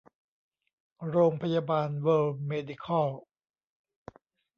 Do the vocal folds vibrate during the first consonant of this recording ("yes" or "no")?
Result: yes